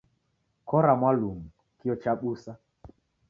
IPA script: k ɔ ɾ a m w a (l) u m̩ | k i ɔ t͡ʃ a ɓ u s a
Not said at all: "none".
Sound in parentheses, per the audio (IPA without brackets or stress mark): l